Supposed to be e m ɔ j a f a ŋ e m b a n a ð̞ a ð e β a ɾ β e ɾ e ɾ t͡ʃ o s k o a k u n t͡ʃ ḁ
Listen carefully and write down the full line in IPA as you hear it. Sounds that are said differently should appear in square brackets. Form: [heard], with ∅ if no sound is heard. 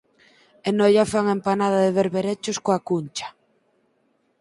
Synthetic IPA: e [n] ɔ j a f a ŋ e m [p] a n a ð̞ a ð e β [e] ɾ β e ɾ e [∅] t͡ʃ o s k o a k u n t͡ʃ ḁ